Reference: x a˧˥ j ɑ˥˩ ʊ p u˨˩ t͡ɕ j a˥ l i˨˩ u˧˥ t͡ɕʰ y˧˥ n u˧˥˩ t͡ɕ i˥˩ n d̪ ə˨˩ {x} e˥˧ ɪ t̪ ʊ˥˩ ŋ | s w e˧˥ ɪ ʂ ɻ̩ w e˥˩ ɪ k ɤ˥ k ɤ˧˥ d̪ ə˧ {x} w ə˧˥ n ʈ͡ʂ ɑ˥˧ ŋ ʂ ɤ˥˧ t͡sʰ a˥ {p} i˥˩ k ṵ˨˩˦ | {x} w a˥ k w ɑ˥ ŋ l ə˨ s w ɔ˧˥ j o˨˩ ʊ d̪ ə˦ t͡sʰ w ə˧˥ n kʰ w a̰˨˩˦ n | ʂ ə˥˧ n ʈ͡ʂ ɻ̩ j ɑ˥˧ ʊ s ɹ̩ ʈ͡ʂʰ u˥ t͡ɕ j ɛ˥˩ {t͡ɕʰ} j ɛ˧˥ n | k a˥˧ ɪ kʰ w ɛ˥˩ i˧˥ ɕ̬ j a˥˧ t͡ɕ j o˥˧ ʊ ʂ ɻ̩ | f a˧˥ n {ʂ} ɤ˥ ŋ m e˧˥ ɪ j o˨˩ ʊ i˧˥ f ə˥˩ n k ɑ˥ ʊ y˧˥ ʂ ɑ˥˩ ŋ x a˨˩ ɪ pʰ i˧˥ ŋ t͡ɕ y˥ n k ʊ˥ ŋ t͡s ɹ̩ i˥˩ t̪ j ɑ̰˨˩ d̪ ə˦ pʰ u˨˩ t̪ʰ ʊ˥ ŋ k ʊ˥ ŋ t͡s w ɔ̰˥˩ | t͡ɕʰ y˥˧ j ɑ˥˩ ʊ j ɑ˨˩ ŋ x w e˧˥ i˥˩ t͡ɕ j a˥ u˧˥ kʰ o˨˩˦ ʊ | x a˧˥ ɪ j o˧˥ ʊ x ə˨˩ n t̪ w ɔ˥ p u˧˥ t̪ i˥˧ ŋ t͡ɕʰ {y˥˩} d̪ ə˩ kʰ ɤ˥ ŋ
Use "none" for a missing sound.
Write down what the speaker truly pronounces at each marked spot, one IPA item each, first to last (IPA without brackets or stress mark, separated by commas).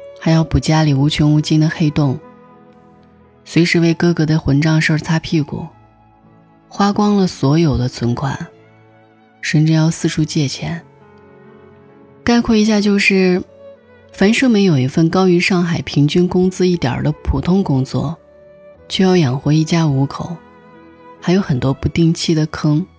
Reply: x, x, pʰ, x, t͡ɕʰ, ʂ, i˥˩